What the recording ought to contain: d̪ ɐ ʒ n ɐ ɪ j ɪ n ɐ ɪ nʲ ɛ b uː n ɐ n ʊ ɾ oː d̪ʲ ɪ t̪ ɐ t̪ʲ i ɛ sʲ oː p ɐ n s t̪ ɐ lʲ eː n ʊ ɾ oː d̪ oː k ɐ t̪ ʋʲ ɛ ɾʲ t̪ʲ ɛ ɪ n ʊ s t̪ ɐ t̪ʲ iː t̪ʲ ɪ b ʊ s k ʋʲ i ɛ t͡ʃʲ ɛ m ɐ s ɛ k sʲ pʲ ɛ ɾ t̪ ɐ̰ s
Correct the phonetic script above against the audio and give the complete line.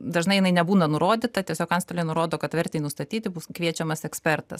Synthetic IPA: d̪ ɐ ʒ n ɐ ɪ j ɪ n ɐ ɪ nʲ ɛ b uː n ɐ n ʊ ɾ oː d̪ʲ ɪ t̪ ɐ t̪ʲ i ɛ sʲ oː k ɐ n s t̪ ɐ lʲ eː n ʊ ɾ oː d̪ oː k ɐ t̪ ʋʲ ɛ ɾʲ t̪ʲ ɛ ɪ n ʊ s t̪ ɐ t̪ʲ iː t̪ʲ ɪ b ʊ s k ʋʲ i ɛ t͡ʃʲ ɛ m ɐ s ɛ k sʲ pʲ ɛ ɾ t̪ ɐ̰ s